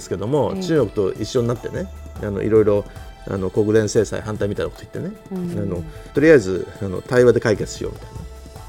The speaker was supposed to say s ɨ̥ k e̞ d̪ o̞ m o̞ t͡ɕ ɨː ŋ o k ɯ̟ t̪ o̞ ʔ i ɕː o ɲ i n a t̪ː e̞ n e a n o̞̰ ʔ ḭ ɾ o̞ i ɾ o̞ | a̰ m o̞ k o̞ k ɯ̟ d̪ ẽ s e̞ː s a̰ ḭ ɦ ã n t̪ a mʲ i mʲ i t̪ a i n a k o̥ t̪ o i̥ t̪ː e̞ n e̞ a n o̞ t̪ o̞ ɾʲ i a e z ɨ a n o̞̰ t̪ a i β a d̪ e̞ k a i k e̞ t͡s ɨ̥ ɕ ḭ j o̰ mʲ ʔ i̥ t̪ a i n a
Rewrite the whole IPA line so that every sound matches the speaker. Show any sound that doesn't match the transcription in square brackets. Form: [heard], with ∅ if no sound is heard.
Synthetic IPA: s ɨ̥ k e̞ d̪ o̞ m o̞ t͡ɕ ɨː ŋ o k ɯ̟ t̪ o̞ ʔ i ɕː o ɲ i n a t̪ː e̞ n e a n o̞̰ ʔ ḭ ɾ o̞ i ɾ o̞ | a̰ [n] o̞ k o̞ k ɯ̟ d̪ ẽ s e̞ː s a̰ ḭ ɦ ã n t̪ a [∅] i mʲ i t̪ a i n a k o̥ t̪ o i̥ t̪ː e̞ n e̞ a n o̞ t̪ o̞ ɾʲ i a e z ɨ a n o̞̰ t̪ a i β a d̪ e̞ k a i k e̞ t͡s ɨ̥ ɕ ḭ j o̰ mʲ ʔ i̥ t̪ a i n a